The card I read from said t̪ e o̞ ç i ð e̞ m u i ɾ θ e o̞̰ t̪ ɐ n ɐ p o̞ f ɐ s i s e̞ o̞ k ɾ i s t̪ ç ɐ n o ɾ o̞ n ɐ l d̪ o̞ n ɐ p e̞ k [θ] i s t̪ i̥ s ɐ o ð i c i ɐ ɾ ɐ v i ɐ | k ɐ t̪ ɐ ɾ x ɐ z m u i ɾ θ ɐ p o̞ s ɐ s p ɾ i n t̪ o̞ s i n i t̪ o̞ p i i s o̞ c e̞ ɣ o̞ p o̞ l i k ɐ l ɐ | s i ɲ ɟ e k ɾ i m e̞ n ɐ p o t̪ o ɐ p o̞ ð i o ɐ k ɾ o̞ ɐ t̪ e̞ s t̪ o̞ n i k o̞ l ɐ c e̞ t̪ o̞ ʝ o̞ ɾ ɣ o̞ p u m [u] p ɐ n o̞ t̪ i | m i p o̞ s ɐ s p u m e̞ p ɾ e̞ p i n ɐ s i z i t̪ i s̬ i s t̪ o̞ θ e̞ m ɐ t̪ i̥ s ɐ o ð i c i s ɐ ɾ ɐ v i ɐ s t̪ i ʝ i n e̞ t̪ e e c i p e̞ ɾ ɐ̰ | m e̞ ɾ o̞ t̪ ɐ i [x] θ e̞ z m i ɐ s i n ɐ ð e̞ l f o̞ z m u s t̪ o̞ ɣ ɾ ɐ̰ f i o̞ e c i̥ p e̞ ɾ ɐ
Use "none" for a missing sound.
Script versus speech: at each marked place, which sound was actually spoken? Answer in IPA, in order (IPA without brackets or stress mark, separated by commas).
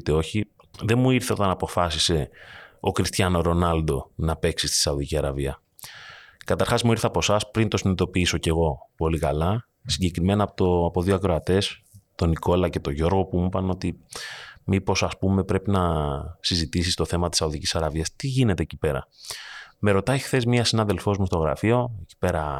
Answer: s, u, x